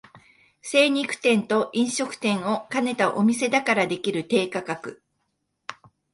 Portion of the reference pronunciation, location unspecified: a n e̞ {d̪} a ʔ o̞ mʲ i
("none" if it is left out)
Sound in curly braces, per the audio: t̪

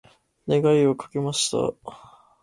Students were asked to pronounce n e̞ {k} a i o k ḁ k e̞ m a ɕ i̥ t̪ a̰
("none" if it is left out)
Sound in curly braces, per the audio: ɡ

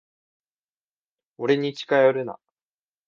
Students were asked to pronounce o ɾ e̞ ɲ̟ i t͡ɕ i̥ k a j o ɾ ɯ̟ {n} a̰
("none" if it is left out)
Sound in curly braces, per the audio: n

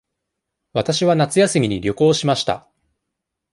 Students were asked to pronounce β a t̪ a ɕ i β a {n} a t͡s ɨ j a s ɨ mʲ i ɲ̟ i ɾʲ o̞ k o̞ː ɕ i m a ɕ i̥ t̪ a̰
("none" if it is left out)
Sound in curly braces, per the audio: n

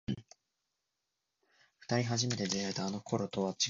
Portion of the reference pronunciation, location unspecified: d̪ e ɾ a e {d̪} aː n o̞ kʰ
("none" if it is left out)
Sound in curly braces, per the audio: t̪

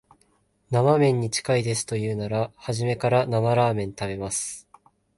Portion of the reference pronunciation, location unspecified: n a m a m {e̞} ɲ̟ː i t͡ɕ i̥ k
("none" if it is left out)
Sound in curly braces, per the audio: ẽ̞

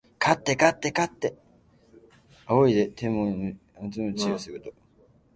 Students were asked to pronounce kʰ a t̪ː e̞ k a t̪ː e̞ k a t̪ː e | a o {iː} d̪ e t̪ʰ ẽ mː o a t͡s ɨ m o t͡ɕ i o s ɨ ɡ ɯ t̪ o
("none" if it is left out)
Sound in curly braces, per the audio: i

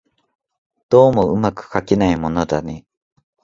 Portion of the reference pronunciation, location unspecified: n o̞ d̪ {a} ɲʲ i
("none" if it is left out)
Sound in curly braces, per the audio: a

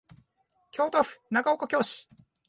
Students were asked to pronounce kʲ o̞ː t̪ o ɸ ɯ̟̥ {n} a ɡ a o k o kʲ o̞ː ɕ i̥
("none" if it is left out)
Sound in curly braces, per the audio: n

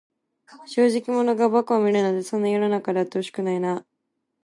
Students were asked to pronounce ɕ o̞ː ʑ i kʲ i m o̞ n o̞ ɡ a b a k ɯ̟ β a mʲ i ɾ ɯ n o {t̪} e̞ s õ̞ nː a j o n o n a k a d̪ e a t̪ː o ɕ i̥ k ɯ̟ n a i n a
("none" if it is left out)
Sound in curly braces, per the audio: d̪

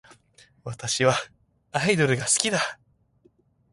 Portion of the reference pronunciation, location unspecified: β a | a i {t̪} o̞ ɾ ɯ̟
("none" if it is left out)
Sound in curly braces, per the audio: d̪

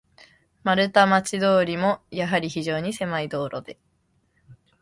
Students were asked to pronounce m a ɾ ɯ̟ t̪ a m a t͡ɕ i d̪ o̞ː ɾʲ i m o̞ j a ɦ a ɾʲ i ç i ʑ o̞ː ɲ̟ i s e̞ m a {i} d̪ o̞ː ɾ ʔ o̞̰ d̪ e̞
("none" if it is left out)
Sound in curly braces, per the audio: i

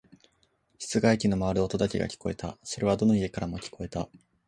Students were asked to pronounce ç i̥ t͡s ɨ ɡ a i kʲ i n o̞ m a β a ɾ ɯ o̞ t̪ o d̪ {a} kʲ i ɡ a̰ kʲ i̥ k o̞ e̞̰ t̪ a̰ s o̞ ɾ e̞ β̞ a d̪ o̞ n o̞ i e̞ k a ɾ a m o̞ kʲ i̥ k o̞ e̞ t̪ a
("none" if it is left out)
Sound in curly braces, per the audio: a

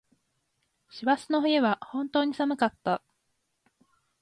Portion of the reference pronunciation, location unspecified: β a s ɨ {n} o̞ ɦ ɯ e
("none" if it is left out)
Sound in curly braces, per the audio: n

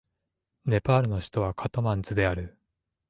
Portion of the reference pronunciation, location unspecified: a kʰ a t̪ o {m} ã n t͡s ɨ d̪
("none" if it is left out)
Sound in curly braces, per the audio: m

